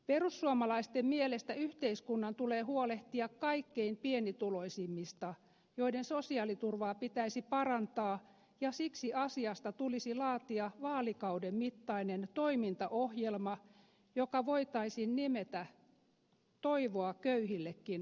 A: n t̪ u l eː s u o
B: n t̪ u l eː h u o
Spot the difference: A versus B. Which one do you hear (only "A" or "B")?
B